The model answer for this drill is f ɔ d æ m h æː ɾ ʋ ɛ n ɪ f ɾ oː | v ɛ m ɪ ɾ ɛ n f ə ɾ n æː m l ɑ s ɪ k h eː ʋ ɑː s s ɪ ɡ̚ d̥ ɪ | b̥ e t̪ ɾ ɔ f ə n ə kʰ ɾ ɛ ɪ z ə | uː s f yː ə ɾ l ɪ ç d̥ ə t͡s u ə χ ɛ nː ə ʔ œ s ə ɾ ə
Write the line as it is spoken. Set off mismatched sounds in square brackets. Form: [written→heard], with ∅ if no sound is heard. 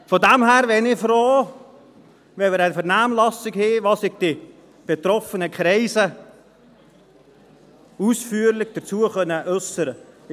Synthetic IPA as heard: f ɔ d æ m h æː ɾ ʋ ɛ n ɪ f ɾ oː | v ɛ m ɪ ɾ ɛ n f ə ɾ n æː m l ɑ s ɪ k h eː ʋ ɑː s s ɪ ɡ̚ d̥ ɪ | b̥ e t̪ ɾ ɔ f ə n ə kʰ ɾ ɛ ɪ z ə | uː s f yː ə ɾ l ɪ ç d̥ ə t͡s u ə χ [ɛ→œ] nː ə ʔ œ s ə ɾ ə